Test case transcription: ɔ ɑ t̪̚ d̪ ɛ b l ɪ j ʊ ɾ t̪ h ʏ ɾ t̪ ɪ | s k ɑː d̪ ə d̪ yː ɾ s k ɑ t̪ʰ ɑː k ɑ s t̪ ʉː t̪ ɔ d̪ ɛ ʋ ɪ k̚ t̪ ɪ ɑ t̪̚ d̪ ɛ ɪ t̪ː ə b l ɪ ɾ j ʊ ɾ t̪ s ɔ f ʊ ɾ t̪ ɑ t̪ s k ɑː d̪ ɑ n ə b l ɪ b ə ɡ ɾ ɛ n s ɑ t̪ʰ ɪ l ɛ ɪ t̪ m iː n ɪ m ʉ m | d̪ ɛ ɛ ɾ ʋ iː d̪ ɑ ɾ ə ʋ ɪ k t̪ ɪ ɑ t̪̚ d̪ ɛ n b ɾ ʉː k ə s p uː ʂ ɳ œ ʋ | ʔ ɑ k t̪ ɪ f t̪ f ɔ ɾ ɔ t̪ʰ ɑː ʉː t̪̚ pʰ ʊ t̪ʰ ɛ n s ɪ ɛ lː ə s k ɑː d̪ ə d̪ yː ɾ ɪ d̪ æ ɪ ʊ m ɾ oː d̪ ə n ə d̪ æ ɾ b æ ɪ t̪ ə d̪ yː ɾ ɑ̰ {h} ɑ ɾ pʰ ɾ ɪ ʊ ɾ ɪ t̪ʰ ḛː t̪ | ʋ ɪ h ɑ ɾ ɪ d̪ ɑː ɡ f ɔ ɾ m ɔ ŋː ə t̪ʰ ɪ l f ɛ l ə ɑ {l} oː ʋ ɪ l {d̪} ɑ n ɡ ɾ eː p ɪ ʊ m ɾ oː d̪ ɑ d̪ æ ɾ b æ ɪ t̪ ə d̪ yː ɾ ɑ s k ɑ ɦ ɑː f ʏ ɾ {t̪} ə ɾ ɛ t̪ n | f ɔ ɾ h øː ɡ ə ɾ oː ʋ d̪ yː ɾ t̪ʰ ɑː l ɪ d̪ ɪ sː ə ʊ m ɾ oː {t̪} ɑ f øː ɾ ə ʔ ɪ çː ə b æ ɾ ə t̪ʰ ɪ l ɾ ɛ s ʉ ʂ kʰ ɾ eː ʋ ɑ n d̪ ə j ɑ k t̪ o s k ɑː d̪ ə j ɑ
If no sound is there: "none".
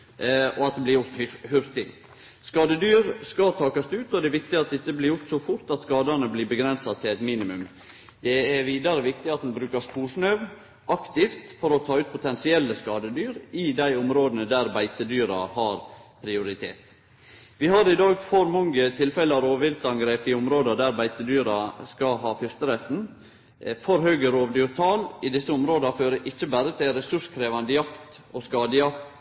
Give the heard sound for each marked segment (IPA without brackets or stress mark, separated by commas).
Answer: h, ɾ, t̪, t̪, d̪